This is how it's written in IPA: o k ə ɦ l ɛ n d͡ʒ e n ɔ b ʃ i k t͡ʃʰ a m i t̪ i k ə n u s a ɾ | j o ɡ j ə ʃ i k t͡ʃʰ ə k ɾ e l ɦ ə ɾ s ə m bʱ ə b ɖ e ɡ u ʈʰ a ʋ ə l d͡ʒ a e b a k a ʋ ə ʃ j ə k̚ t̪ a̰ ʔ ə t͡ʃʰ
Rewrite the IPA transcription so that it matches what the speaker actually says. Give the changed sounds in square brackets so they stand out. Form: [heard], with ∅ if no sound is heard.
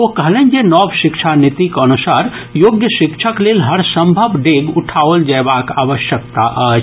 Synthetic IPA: o k ə ɦ l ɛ n d͡ʒ e n ɔ b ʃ i k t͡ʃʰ a [n] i t̪ i k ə n u s a ɾ | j o ɡ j ə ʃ i k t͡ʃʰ ə k [l] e l ɦ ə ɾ s ə m bʱ ə b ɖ e ɡ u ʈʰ a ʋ ə l d͡ʒ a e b a k a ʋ ə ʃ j ə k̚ t̪ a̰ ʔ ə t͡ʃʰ